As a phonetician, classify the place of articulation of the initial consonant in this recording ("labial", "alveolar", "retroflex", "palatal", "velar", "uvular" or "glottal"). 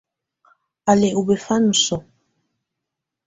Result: alveolar